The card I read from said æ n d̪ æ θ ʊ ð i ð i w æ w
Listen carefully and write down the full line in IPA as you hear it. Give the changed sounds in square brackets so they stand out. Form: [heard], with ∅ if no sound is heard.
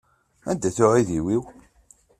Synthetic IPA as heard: æ n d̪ æ θ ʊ [ʕ] i ð i w [i] w